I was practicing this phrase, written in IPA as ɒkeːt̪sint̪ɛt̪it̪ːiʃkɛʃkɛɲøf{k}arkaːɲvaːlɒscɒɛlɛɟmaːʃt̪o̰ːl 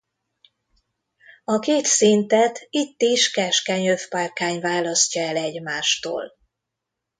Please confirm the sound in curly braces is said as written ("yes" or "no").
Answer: no